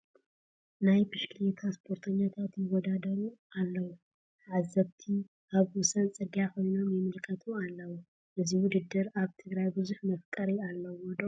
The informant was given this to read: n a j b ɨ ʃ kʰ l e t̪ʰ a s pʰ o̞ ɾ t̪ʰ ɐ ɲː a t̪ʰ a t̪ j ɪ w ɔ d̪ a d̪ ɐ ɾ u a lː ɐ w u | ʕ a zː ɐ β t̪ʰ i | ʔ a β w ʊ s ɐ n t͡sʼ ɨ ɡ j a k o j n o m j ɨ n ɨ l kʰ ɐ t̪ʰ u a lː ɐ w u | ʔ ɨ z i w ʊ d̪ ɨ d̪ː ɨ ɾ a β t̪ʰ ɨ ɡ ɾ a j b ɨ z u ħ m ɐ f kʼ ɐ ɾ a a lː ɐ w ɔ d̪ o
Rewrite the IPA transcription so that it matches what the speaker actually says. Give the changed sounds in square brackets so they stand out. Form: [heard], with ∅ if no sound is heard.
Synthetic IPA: n a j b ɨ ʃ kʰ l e t̪ʰ a s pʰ o̞ ɾ t̪ʰ ɐ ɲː a t̪ʰ a t̪ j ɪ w ɔ d̪ a d̪ ɐ ɾ u a lː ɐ w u | ʕ a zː ɐ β t̪ʰ i | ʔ a β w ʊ s ɐ n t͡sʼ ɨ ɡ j a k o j n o m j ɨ [m] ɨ l kʰ ɐ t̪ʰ u a lː ɐ w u | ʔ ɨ z i w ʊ d̪ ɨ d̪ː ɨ ɾ a β t̪ʰ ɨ ɡ ɾ a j b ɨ z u ħ m ɐ f kʼ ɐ ɾ [i] a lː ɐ w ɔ d̪ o